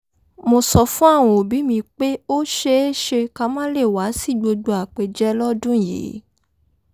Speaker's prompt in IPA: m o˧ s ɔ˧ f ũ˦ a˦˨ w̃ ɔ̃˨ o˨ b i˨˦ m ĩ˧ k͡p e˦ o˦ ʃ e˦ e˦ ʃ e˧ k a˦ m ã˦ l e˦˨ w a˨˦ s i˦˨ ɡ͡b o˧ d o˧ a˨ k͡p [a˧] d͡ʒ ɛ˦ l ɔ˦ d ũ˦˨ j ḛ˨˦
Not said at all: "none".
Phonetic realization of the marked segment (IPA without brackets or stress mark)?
e˧